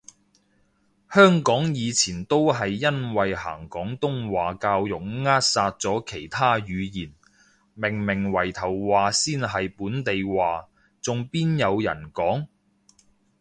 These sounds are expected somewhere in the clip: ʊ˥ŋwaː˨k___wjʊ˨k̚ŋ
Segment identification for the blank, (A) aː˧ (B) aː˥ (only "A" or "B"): A